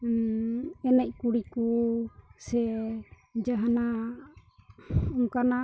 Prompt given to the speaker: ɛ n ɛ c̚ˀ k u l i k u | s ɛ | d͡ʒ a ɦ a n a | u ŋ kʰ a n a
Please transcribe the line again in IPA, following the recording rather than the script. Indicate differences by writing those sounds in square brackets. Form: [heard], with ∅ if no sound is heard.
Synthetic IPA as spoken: ɛ n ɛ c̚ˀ k u [ɽ] i k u | s ɛ | d͡ʒ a ɦ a n a | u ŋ [k] a n a